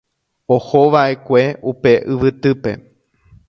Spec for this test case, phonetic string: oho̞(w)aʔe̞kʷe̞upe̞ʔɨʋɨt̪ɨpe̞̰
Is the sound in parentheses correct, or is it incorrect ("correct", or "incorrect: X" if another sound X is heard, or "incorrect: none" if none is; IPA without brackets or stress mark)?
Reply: incorrect: ʋ